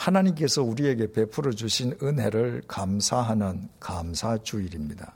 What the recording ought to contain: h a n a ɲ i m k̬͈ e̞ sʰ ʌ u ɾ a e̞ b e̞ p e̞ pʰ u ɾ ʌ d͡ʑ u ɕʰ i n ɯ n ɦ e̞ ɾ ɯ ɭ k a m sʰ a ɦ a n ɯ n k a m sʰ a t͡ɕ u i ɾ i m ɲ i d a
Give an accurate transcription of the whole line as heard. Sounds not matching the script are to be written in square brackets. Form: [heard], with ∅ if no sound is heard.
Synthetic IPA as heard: h a n a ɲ i m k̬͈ e̞ sʰ ʌ u ɾ [i] e̞ [ɡ] e̞ p e̞ pʰ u ɾ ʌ d͡ʑ u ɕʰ i n ɯ n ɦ e̞ ɾ ɯ ɭ k a m sʰ a ɦ a n ɯ n k a m sʰ a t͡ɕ u i ɾ i m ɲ i d a